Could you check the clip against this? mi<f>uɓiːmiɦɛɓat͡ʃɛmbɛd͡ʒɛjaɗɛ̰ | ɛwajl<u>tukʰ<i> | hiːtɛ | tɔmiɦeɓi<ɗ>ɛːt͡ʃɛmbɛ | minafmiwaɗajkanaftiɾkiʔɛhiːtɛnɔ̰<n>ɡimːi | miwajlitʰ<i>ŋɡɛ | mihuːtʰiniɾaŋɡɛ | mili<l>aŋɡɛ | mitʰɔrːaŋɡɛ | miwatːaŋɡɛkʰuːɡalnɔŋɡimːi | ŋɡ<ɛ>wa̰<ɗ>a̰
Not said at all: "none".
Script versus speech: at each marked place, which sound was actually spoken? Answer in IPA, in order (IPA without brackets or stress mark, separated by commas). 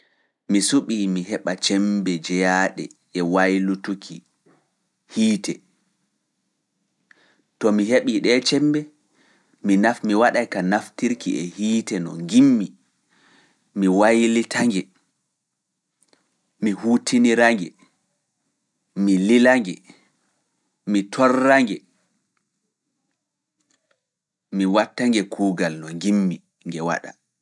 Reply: s, u, i, ɗ, ŋ, a, l, ɛ, ɗ